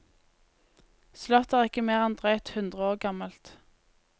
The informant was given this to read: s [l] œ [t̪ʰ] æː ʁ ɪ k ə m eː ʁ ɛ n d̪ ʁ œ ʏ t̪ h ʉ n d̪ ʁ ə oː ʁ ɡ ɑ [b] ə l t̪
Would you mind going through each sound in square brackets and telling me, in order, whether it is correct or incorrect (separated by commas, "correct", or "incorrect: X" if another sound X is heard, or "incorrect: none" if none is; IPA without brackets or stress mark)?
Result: correct, incorrect: t̪, incorrect: m